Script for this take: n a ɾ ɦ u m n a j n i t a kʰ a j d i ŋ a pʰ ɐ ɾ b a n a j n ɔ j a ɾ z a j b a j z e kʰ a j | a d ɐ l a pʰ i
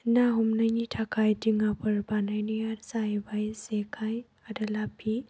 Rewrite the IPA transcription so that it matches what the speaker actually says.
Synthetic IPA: n a ɦ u m n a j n i tʰ a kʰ a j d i ŋ a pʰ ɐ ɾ b a n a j n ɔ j a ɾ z a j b a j z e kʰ a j | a d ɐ l a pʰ i